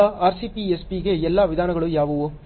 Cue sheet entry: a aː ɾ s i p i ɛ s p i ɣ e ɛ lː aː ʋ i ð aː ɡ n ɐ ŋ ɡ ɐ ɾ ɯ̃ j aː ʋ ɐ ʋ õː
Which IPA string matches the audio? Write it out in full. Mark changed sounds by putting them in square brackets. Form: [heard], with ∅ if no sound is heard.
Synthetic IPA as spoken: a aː ɾ s i p i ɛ s p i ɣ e ɛ lː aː ʋ [ɪ] ð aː [∅] n ɐ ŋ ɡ ɐ [ɭ] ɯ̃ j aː ʋ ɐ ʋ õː